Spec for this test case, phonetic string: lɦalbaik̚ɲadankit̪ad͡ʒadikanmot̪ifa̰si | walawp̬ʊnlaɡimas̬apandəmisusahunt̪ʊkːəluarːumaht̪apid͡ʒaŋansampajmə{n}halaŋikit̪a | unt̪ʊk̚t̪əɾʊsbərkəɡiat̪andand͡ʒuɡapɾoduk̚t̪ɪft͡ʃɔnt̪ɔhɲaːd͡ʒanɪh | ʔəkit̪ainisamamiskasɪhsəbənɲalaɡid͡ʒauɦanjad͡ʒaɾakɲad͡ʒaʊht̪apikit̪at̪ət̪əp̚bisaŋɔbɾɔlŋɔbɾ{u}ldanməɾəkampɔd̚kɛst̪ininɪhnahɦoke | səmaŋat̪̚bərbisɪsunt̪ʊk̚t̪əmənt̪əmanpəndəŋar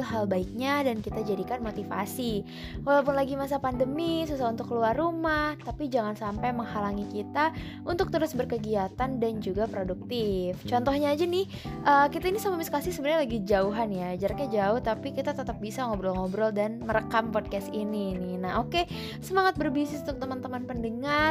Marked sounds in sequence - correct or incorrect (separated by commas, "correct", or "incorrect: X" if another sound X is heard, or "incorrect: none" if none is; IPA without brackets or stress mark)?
incorrect: ŋ, incorrect: ɔ